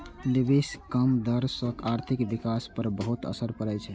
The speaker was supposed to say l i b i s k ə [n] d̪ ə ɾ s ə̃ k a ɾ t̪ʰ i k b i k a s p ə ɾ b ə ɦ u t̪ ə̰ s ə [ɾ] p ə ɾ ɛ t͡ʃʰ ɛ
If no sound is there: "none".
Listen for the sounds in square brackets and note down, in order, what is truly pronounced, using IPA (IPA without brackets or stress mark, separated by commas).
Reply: m, ɾ